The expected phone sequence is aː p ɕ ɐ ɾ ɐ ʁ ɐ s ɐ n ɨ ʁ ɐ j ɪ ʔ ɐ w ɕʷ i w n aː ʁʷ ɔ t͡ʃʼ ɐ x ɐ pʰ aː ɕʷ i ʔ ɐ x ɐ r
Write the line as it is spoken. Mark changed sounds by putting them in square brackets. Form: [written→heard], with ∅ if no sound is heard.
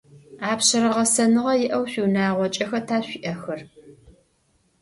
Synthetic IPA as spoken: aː p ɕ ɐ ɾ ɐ ʁ ɐ s ɐ n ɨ ʁ ɐ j ɪ ʔ ɐ w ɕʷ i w n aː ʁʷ ɔ t͡ʃʼ ɐ x ɐ [pʰ→tʰ] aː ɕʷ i ʔ ɐ x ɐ r